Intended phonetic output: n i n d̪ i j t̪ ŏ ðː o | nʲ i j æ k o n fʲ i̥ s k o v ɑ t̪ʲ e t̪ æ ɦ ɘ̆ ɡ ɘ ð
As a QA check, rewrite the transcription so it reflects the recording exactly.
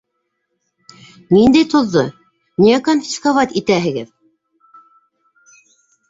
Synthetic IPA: n i n d̪ æ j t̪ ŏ ðː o | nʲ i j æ k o n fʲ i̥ s k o v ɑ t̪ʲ i t̪ æ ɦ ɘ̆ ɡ ɘ ð